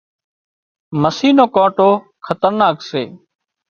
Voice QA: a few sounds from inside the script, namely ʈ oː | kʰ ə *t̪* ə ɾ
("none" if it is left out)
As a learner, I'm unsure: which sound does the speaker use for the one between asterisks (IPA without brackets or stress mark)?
t̪